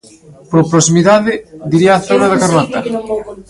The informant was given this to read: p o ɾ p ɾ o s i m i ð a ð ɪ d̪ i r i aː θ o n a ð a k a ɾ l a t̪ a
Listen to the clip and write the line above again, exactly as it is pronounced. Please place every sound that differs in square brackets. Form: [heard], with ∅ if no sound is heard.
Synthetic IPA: p o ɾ p ɾ o s i m i ð a ð ɪ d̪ i [ɾ] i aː θ o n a ð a k a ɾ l a t̪ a